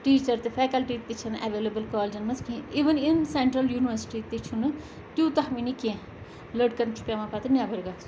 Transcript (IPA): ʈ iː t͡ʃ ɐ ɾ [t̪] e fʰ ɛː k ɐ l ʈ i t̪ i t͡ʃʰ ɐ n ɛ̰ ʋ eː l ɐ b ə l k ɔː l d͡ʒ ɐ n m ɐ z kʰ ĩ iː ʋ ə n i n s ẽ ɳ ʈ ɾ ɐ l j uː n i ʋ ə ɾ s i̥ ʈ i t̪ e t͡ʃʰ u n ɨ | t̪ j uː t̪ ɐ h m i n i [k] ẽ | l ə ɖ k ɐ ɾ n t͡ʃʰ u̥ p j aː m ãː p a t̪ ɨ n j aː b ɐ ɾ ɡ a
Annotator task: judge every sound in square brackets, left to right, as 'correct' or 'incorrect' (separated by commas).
correct, correct